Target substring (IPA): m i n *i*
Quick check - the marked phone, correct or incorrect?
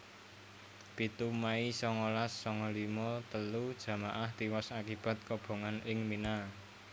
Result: incorrect